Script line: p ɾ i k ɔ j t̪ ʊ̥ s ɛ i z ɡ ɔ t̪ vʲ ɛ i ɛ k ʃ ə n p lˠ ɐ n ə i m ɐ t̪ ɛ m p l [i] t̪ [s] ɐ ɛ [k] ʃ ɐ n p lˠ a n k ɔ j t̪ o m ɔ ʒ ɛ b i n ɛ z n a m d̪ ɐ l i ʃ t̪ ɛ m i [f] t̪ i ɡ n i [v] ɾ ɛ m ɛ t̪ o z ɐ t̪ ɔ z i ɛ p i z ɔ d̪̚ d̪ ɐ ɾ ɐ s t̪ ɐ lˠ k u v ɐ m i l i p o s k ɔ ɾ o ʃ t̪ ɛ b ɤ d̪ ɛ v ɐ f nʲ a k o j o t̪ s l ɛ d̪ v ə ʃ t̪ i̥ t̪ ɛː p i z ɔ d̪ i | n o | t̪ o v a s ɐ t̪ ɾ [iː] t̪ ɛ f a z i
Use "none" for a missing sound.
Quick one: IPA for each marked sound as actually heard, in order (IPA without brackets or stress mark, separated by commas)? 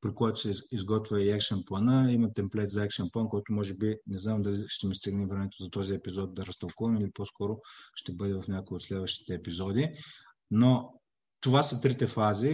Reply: ɛ, z, k, s, v, i